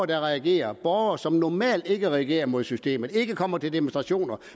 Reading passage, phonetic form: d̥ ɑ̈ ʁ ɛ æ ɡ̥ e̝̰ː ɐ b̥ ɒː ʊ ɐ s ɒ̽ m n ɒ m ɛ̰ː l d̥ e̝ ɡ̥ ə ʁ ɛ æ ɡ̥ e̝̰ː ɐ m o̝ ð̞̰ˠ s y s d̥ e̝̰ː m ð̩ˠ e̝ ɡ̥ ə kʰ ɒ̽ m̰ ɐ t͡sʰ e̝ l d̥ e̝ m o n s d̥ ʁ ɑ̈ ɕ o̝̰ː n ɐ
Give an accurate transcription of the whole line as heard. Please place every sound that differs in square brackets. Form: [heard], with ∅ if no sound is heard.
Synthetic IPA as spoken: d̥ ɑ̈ ʁ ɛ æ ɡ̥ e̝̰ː ɐ b̥ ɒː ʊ ɐ s ɒ̽ m n ɒ m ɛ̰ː l d̥ e̝ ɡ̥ ə ʁ ɛ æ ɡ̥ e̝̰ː ɐ m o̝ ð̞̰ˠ s y s d̥ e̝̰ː m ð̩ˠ e̝ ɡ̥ ə kʰ ɒ̽ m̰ ɐ t͡sʰ e̝ l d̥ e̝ m o n s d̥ ʁ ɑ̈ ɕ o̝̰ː n ɐ